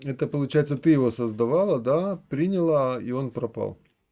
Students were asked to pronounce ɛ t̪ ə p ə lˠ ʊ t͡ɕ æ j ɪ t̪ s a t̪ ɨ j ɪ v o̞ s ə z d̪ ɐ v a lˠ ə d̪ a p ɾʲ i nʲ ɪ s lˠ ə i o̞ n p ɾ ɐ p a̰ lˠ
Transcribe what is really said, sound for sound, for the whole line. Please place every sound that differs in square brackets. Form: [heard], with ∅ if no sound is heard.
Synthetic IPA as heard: ɛ t̪ ə p ə lˠ ʊ t͡ɕ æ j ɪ t̪ s [ə] t̪ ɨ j ɪ v o̞ s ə z d̪ ɐ v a lˠ ə d̪ a p ɾʲ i nʲ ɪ [∅] lˠ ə i o̞ n p ɾ ɐ p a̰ lˠ